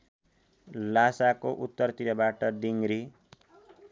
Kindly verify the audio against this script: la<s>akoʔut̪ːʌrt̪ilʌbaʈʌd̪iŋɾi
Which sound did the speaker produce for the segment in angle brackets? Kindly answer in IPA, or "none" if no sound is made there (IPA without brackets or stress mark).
s